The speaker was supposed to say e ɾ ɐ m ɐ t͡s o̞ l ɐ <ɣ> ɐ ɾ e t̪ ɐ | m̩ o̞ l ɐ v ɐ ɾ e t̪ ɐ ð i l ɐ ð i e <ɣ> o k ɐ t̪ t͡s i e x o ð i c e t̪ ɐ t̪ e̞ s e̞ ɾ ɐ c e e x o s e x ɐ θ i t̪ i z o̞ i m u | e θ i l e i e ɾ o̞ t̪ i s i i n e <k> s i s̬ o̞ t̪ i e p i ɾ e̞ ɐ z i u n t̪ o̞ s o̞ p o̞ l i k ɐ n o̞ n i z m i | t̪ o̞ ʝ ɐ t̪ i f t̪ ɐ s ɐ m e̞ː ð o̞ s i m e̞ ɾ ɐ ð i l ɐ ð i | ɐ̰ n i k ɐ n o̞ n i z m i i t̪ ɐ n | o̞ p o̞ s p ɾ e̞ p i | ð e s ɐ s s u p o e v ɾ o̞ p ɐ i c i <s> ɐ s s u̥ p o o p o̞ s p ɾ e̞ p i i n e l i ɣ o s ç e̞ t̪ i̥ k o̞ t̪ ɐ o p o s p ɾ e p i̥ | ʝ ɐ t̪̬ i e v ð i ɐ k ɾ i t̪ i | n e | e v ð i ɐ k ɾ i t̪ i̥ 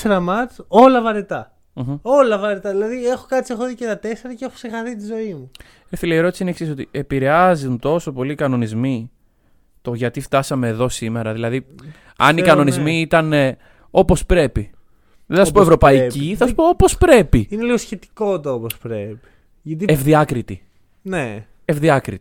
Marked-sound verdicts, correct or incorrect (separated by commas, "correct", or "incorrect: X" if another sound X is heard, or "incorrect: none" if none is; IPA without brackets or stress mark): incorrect: v, incorrect: x, correct, incorrect: θ